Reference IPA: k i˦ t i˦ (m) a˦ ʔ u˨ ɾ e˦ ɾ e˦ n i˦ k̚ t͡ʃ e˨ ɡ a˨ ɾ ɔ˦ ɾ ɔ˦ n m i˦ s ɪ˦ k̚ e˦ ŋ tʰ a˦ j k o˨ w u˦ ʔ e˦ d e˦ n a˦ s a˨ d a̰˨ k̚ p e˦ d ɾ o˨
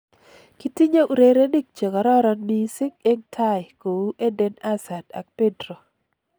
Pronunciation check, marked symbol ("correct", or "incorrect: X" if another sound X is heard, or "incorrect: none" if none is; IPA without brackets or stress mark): incorrect: ɲ